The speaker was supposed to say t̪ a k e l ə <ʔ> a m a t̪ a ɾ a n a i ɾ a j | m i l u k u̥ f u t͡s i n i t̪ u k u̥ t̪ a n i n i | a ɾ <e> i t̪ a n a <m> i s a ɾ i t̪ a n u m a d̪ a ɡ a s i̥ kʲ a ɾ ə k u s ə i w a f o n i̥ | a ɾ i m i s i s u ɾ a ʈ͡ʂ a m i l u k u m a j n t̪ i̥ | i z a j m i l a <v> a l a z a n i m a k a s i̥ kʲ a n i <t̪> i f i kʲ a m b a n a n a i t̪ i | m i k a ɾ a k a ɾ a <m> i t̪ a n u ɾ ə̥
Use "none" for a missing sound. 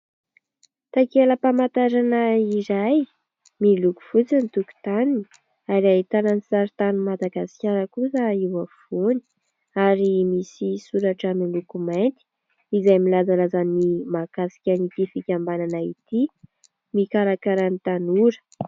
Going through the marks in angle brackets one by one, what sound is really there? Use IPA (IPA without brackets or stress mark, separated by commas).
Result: p, a, n, z, t̪, n